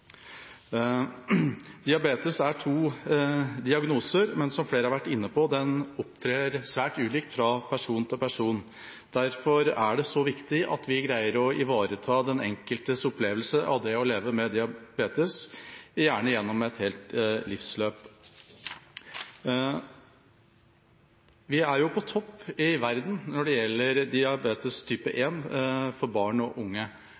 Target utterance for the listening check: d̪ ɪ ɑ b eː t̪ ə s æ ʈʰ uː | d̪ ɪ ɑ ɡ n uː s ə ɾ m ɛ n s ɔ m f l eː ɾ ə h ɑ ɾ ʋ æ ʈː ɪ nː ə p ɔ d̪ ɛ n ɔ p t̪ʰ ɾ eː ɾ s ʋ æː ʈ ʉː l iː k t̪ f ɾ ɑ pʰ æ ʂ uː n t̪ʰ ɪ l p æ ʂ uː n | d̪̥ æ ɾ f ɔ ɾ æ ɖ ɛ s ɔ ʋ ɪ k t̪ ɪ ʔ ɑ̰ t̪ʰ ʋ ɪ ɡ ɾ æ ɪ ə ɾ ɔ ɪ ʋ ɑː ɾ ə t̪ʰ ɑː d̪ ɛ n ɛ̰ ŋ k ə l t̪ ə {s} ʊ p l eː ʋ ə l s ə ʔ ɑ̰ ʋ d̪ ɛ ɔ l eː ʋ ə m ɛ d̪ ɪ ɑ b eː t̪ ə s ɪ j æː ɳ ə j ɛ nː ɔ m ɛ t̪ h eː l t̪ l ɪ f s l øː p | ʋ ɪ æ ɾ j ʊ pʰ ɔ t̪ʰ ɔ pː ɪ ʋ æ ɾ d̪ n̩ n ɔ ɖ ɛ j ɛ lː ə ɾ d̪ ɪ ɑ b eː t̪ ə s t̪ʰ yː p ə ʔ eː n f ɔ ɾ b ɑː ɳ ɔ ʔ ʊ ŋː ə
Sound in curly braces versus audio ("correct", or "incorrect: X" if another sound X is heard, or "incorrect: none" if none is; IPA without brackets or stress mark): correct